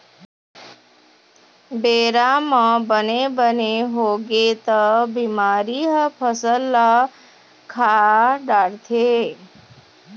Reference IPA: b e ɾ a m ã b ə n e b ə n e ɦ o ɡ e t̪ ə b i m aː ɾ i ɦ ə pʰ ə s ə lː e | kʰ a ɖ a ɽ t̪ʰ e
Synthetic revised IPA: b e ɾ a m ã b ə n e b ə n e ɦ o ɡ e t̪ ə b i m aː ɾ i ɦ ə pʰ ə s ə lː a | kʰ a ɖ a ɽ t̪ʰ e